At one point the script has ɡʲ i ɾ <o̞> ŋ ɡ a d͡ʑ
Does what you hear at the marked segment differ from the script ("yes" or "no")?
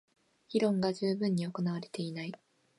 yes